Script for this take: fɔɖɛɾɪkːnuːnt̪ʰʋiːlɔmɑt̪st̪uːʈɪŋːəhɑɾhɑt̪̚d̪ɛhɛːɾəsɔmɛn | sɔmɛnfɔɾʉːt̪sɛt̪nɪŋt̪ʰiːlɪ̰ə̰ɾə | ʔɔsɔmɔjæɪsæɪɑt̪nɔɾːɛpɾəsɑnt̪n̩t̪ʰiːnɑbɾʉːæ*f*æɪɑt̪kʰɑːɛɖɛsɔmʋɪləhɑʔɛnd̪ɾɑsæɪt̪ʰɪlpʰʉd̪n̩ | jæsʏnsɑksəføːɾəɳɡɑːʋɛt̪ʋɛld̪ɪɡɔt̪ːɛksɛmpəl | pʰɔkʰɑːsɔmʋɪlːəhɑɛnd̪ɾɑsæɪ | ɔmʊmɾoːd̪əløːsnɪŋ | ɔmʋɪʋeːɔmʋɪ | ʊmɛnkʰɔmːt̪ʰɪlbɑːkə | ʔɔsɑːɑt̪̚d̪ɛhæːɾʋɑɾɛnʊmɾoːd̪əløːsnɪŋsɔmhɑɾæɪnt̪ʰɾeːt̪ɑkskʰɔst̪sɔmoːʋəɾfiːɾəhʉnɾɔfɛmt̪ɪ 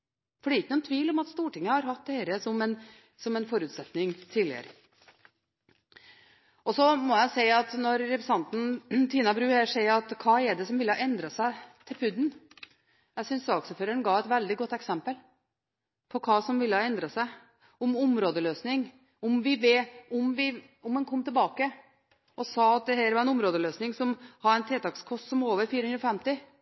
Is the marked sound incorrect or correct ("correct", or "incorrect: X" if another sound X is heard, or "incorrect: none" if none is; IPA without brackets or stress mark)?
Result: incorrect: ʂ